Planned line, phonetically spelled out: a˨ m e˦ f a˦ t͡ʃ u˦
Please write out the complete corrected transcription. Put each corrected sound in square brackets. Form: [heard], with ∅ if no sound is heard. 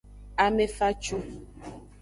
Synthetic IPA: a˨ m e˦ f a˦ t͡ʃ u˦

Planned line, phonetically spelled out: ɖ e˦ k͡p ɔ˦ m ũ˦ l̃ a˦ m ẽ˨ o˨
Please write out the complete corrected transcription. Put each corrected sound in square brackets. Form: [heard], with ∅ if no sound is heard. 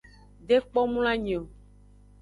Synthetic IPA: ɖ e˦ k͡p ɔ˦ m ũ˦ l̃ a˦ [ɲ] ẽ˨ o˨

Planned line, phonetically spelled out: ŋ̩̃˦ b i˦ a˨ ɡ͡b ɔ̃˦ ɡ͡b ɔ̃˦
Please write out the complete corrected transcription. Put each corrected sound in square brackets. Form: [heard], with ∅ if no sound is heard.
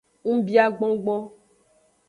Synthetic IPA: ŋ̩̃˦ b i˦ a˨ ɡ͡b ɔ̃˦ ɡ͡b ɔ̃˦

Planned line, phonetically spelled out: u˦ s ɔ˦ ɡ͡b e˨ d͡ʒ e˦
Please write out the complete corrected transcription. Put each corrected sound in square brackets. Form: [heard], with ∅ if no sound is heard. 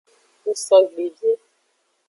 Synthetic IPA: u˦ s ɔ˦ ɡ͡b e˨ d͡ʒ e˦

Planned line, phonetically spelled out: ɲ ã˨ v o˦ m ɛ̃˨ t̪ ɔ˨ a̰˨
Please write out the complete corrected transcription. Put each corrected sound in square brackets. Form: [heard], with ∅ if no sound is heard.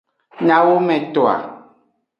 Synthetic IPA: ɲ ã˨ [w] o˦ m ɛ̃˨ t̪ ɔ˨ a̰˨

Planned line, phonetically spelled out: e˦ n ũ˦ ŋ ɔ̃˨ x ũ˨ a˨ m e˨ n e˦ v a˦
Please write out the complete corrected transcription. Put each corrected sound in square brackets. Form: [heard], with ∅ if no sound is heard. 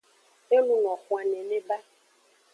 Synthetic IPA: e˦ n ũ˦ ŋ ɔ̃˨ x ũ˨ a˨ [n] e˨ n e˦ [b] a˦

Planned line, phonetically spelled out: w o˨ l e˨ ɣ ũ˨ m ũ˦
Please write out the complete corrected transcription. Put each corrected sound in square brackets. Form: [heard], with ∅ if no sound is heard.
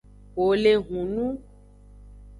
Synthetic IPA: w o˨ l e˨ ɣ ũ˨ [n] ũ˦

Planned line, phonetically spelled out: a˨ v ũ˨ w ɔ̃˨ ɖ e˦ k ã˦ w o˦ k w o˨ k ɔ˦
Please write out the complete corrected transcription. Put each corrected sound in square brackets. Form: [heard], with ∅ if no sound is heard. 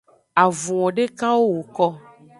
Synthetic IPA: a˨ v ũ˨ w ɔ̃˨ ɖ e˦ k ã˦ w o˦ [∅] w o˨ k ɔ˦

